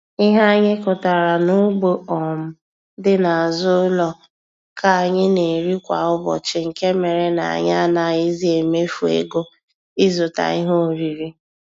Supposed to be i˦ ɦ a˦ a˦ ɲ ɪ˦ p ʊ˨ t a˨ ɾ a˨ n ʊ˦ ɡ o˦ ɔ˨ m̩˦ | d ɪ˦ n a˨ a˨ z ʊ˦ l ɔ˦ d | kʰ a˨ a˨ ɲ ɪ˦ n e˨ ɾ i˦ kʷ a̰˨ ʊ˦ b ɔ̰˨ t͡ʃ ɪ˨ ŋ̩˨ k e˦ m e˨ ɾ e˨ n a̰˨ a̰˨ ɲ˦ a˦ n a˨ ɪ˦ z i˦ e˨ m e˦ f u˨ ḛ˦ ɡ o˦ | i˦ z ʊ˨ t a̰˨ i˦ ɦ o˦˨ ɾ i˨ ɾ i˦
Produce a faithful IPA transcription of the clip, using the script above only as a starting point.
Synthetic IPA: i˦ ɦ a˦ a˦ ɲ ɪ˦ k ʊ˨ t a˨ ɾ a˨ n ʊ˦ ɡ͡b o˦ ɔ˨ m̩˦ | d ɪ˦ n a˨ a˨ z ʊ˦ l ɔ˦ | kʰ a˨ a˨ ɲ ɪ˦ n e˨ ɾ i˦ kʷ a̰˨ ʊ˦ b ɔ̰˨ t͡ʃ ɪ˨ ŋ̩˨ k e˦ m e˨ ɾ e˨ n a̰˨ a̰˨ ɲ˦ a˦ n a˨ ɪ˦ z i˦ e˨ m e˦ f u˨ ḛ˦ ɡ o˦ | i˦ z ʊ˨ t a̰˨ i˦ ɦ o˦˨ ɾ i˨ ɾ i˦